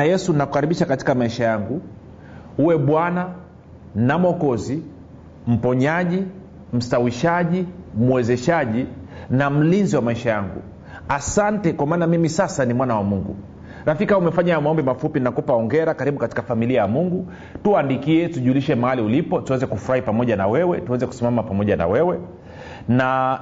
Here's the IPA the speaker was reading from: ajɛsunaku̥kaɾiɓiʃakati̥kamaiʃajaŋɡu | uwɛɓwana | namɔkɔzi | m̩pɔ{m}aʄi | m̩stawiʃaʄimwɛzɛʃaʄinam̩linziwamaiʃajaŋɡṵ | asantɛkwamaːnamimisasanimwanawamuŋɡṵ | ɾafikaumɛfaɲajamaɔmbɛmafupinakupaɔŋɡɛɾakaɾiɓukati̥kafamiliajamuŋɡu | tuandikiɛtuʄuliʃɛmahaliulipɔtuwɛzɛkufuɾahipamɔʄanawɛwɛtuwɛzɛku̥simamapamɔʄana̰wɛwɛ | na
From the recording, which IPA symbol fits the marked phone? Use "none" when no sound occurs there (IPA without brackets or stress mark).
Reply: ɲ